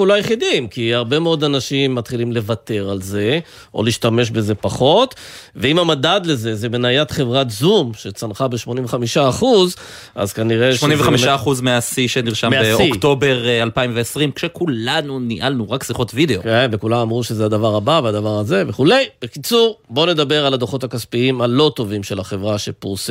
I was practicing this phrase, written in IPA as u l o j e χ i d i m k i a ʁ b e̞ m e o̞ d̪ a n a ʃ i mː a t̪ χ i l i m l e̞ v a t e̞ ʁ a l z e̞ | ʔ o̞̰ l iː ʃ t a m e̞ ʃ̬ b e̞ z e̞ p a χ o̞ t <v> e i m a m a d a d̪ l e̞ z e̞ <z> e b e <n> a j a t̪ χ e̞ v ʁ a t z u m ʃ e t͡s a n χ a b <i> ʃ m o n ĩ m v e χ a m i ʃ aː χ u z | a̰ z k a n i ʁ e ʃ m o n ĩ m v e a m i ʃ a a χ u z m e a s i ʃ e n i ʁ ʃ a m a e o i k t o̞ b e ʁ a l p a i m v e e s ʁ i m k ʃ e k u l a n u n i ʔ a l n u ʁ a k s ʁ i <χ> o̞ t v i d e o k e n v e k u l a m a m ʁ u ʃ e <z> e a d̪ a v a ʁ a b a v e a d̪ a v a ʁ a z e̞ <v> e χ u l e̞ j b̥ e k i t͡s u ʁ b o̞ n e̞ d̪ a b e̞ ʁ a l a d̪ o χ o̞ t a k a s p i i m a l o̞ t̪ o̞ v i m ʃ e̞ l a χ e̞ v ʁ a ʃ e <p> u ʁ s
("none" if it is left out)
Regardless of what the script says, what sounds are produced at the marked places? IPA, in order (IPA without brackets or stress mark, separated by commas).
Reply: v, z, n, e, χ, z, v, p